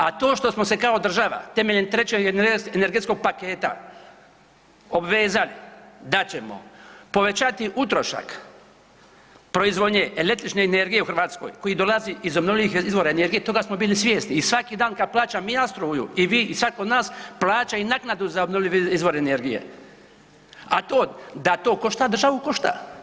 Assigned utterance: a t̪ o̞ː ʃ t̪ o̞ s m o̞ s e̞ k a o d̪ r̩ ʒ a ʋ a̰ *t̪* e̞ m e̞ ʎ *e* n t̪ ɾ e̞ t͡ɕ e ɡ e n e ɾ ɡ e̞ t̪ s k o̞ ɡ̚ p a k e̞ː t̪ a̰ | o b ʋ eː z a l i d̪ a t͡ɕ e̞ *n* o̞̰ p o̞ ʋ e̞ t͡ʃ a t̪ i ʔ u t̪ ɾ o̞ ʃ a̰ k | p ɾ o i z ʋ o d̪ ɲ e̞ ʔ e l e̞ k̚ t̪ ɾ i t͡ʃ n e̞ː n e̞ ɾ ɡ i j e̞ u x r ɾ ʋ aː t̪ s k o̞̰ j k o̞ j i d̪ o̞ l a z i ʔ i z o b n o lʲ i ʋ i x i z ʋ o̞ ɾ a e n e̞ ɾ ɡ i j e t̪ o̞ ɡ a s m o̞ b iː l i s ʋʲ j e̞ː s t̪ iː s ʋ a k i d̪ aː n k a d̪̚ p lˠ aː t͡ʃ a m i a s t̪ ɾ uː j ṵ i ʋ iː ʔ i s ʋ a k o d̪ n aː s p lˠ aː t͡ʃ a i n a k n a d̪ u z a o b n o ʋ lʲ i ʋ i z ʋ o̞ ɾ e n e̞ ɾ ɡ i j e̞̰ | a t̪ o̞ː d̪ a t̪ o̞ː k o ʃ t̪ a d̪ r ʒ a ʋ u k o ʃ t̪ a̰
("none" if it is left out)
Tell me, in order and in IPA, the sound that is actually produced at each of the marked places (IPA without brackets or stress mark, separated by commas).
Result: t̪, e, m